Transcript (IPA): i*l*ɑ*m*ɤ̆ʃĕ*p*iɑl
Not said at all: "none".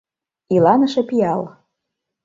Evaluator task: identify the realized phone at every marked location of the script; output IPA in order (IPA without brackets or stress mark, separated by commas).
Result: l, n, p